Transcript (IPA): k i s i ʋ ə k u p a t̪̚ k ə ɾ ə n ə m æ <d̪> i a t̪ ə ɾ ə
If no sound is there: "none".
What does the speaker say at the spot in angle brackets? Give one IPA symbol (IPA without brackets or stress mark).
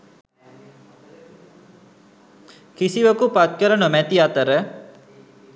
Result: t̪